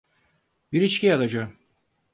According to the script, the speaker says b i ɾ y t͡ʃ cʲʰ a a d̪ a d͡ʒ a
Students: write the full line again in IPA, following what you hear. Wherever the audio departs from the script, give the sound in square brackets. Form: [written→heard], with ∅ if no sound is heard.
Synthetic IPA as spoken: b i ɾ [y→i] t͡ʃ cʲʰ [a→i] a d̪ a d͡ʒ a